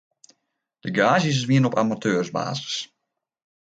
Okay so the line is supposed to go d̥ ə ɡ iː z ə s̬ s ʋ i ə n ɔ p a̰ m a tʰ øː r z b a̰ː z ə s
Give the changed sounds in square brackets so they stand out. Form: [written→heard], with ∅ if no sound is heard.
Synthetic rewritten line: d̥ ə ɡ [iː→aː] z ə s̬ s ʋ i ə n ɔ p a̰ m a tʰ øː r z b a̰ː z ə s